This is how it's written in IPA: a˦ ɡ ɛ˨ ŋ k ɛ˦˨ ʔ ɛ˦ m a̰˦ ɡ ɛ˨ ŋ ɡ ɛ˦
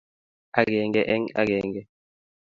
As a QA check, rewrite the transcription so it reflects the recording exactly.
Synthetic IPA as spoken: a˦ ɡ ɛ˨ ŋ ɡ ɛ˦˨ ʔ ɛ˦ ŋ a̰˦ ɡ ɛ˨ ŋ ɡ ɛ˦